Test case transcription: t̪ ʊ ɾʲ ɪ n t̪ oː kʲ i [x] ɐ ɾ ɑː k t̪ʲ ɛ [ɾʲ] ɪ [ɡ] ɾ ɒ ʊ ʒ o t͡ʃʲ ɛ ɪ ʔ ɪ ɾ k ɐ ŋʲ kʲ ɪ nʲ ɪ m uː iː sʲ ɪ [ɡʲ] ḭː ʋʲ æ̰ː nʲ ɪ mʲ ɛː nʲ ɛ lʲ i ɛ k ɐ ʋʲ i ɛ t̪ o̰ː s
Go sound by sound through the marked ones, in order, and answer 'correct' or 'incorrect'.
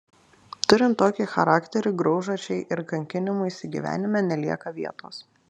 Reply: correct, correct, correct, correct

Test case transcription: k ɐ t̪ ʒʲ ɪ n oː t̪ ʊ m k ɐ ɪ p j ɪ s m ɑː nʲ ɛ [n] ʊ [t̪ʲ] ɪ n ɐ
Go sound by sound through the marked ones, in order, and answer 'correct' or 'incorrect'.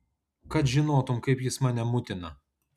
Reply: incorrect: m, correct

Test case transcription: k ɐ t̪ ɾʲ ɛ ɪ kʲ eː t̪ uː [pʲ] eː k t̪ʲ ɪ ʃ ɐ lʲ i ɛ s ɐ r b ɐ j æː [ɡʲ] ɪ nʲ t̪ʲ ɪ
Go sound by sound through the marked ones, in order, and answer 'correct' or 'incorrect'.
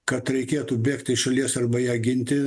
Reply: incorrect: bʲ, correct

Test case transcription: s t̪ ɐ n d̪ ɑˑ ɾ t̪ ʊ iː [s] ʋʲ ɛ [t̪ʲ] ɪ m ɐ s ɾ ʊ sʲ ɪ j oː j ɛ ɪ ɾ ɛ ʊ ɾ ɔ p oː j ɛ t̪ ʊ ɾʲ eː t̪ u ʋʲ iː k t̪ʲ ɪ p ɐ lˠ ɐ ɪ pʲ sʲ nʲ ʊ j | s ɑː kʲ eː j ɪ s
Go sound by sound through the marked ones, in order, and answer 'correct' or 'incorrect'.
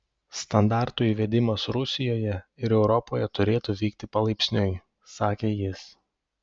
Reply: incorrect: none, incorrect: d̪ʲ

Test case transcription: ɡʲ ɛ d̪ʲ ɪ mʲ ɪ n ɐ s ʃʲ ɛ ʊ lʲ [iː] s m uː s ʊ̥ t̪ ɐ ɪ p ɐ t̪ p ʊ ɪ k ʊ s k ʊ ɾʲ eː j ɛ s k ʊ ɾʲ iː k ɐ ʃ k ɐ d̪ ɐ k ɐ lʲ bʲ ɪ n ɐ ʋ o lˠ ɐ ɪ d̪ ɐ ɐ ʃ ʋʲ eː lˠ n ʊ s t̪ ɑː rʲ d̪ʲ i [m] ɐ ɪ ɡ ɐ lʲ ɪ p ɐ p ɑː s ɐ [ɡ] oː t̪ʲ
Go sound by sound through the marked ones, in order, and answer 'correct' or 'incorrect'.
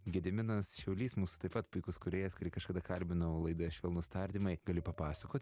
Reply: correct, correct, incorrect: k

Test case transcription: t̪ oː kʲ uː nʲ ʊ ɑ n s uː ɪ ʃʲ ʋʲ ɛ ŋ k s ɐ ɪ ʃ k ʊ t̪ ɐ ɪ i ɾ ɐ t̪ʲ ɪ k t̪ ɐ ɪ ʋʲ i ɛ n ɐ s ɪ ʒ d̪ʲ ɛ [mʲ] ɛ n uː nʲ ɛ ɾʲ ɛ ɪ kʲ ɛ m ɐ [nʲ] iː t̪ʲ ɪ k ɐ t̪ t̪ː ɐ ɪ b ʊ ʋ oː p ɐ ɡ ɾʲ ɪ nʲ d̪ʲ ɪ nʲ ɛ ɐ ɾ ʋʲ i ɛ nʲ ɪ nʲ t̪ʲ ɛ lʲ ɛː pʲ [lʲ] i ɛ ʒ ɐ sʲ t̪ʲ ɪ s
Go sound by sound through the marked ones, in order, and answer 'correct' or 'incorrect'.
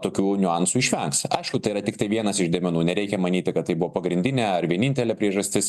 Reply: correct, correct, incorrect: ɾʲ

